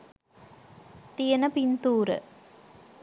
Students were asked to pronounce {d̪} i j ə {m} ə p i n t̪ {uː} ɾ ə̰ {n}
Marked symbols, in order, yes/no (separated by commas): no, no, yes, no